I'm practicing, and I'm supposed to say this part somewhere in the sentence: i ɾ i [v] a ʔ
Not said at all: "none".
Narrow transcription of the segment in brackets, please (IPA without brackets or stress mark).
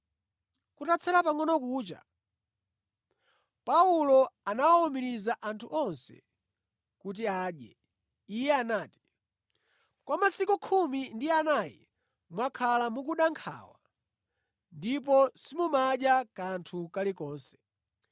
z